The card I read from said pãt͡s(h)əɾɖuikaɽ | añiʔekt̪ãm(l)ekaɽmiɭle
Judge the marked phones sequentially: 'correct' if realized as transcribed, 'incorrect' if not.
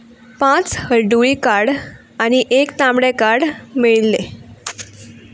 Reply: correct, incorrect

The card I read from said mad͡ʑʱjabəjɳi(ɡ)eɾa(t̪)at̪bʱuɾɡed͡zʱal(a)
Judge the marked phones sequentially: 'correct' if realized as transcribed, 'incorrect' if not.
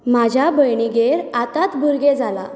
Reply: correct, correct, correct

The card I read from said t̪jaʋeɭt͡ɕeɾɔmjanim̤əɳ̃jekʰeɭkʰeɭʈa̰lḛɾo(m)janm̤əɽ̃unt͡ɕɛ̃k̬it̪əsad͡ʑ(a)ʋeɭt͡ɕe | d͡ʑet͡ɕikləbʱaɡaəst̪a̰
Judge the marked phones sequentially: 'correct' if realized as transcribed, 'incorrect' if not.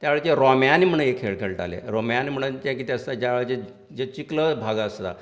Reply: correct, correct

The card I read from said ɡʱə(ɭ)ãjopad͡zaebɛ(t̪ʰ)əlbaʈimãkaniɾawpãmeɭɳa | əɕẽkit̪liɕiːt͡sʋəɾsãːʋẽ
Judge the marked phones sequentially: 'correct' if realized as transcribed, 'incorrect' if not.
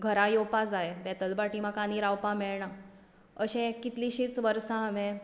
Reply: incorrect, incorrect

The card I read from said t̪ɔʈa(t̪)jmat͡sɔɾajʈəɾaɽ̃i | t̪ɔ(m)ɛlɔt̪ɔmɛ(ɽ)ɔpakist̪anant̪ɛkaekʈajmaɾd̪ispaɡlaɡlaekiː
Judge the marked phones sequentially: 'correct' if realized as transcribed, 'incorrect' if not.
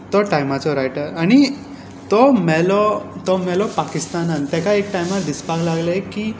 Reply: incorrect, correct, incorrect

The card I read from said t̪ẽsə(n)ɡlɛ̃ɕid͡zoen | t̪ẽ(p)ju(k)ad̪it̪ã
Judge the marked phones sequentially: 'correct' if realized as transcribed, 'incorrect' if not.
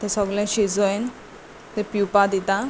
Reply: incorrect, correct, incorrect

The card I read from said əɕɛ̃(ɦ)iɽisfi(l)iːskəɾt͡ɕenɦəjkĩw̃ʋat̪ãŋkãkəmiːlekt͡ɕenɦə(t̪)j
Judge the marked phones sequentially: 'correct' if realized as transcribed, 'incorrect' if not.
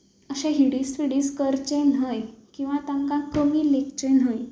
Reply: correct, incorrect, incorrect

